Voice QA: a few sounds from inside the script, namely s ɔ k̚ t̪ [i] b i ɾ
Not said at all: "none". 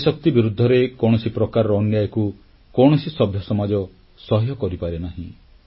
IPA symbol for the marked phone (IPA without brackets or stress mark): i